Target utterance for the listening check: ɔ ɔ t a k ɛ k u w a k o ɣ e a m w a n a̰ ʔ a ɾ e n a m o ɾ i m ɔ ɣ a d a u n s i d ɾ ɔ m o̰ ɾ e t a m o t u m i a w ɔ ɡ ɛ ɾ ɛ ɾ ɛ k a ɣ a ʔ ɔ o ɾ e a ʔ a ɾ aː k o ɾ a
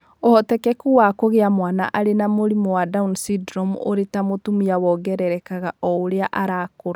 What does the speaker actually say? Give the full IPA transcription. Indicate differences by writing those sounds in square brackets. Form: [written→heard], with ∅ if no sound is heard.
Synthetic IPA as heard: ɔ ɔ t [a→ɛ] k ɛ k u w a k o ɣ e a m w a n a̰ ʔ a ɾ e n a m o ɾ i m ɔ [ɣ→w] a d a u n s i d ɾ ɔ m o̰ ɾ e t a m o t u m i a w ɔ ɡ ɛ ɾ ɛ ɾ ɛ k a ɣ a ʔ ɔ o ɾ e a ʔ a ɾ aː k o ɾ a

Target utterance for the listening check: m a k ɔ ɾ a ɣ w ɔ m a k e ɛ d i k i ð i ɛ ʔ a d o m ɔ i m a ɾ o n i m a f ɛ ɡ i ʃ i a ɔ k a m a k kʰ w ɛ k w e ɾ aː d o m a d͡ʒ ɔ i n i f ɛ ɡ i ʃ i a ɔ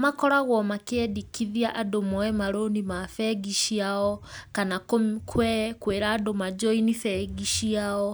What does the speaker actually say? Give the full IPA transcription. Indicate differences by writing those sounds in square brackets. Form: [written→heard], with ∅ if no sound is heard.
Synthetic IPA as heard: m a k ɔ ɾ a ɣ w ɔ m a k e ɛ d i k i ð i [ɛ→a] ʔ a d o m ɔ [i→ɛ] m a ɾ o n i m a f ɛ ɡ i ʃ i a ɔ k a [m→n] a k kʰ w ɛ k w e ɾ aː d o m a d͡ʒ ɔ i n i f ɛ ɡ i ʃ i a ɔ

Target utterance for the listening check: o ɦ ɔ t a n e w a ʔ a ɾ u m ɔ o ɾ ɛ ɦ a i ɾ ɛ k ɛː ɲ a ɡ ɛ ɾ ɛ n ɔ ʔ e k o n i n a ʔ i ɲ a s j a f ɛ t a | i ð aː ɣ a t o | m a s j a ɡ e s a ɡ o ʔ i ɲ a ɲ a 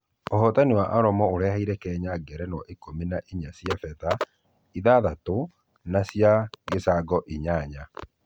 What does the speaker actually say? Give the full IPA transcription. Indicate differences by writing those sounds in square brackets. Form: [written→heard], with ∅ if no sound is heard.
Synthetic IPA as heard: o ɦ ɔ t a n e w a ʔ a ɾ [u→ɔ] m ɔ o ɾ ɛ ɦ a i ɾ ɛ k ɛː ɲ a ɡ ɛ ɾ ɛ n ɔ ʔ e k o [n→m] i n a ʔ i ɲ a s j a f ɛ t a | i ð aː [ɣ→ð] a t o | [m→n] a s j a ɡ e s a ɡ [o→ɔ] ʔ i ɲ a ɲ a

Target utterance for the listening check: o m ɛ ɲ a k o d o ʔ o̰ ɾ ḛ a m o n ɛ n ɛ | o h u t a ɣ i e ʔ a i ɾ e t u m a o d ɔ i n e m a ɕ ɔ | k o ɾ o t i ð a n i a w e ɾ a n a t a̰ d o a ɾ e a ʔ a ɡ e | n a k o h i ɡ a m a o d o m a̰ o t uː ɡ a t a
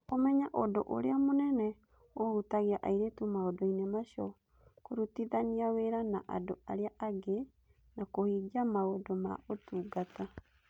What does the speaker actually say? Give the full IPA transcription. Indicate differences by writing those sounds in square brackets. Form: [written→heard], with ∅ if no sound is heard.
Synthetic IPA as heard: o m ɛ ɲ a [k→ʔ] o d o ʔ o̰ ɾ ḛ a m o n ɛ n ɛ | o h u t a ɣ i [e→a] ʔ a i ɾ e t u m a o d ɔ i n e m a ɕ ɔ | k o ɾ [o→u] t i ð a n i a w e ɾ a n a [t→ʔ] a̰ d o a ɾ e a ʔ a ɡ e | n a k o h i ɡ a m a o d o m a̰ o t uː ɡ a t a

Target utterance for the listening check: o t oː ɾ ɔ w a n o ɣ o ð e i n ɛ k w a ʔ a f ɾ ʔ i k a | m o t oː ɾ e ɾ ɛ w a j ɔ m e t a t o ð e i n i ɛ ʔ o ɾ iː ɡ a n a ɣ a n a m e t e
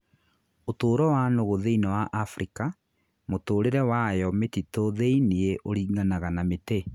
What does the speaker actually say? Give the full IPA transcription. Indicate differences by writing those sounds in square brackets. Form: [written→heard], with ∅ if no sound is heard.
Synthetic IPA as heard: o t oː ɾ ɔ w a n o ɣ o ð e i n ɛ [k→∅] w a ʔ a f ɾ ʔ i k a | m o t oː ɾ e ɾ ɛ w a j ɔ m e t [a→i] t o ð e i n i [ɛ→e] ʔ o ɾ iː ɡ a n a ɣ a n a m e t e

